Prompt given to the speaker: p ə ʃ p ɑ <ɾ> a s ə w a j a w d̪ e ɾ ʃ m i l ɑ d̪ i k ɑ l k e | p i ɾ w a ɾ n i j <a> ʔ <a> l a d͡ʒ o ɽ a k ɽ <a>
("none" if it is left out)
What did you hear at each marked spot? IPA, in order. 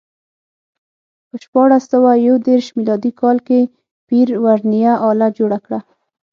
ɽ, a, ɑ, a

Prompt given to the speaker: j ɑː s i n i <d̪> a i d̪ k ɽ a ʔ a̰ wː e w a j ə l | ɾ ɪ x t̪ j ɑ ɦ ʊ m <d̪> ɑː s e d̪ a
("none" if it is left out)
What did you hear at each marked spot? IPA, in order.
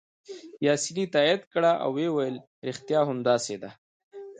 t̪, d̪

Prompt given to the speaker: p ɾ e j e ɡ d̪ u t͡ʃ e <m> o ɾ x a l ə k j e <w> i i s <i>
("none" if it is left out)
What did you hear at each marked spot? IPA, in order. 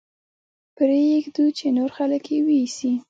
n, w, i

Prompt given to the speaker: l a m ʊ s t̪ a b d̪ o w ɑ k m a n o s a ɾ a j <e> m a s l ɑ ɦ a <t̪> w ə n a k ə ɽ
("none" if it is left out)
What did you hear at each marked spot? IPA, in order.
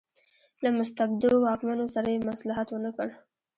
e, t̪

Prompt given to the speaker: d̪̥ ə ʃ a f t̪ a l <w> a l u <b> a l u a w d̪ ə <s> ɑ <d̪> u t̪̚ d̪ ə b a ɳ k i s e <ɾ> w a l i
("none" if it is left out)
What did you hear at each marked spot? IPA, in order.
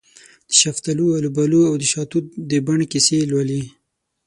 u, b, ʃ, t̪, l

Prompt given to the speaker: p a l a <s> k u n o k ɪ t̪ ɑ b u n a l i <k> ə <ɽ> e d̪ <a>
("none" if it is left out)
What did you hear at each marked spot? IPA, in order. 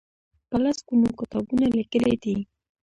s, k, l, i

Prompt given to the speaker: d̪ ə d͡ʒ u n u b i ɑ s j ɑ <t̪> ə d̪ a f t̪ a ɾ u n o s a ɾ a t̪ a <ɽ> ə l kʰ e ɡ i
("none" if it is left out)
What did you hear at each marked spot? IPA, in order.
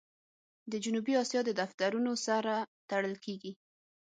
d̪, ɽ

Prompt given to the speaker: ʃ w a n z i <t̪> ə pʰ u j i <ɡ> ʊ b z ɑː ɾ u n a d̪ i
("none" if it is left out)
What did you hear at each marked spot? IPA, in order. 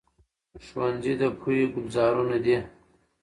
d̪, ɡ

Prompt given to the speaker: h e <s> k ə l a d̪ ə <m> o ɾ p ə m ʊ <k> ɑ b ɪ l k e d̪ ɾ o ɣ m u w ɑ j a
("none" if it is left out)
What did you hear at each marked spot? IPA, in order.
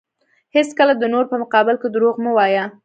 s, n, q

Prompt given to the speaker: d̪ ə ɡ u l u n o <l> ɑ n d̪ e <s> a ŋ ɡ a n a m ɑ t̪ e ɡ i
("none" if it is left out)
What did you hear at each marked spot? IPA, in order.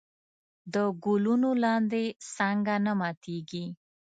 l, s

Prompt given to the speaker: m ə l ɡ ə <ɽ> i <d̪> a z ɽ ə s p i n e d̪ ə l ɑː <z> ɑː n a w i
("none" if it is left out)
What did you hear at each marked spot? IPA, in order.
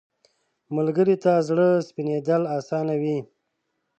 ɾ, t̪, s

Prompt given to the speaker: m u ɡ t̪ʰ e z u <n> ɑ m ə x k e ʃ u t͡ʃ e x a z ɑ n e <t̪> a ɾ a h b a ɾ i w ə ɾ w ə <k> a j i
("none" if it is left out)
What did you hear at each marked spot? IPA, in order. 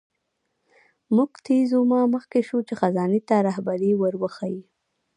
m, t̪, x

